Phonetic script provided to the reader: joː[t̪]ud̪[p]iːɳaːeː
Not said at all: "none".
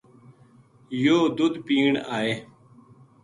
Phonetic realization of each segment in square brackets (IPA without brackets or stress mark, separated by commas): d̪, p